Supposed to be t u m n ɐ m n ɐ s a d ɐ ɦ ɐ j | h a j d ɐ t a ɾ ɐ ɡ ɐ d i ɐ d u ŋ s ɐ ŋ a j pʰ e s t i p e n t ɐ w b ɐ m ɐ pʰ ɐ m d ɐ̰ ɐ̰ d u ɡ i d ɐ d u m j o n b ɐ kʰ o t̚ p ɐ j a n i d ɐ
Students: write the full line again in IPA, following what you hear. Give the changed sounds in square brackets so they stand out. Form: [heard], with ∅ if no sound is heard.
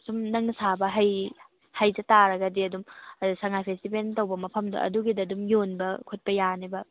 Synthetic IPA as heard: [s] u m n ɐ [ŋ] n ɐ s a [b] ɐ ɦ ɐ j | h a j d ɐ t a ɾ ɐ ɡ ɐ d i ɐ d u [m] s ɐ ŋ a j pʰ e s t i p e n t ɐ w b ɐ m ɐ pʰ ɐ m d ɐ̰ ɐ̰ d u ɡ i d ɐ d u m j o n b ɐ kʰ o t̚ p ɐ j a n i [b] ɐ